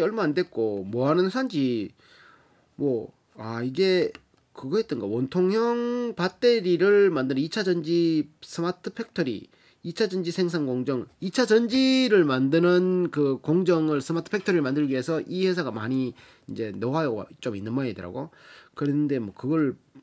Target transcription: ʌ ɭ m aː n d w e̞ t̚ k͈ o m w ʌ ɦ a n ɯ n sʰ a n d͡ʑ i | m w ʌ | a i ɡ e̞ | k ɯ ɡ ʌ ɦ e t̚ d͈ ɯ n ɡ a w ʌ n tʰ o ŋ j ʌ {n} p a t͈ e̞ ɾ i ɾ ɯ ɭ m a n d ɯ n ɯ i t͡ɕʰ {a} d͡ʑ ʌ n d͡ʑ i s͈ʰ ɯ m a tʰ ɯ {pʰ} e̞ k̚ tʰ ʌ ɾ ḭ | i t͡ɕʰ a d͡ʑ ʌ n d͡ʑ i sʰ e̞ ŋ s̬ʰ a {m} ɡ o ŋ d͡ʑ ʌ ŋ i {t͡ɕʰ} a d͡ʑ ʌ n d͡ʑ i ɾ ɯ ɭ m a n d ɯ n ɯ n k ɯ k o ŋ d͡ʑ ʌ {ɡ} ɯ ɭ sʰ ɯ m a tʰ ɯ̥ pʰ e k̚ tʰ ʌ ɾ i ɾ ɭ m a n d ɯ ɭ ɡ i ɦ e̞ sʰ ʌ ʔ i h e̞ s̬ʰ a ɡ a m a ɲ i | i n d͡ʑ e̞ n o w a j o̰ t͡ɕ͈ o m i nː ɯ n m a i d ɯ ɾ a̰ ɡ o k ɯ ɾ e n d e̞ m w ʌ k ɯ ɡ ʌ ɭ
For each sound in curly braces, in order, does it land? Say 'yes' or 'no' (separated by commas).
no, yes, yes, no, yes, no